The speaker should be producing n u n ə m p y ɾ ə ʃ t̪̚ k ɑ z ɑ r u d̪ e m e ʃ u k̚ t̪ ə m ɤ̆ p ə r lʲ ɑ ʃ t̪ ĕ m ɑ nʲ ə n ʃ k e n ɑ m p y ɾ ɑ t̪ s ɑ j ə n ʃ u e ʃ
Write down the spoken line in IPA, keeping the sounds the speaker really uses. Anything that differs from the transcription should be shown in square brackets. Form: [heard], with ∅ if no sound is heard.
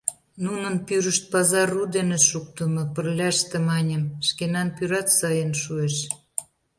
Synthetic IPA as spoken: n u n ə [n] p y ɾ ə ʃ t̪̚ [p] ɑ z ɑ r u d̪ e [n] e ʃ u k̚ t̪ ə m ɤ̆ p ə r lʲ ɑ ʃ t̪ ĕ m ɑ nʲ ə [m] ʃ k e n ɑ [n] p y ɾ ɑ t̪ s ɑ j ə n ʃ u e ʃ